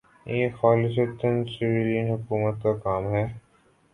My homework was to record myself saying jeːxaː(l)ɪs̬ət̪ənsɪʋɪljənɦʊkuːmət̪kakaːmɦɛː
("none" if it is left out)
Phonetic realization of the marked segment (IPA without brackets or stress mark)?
l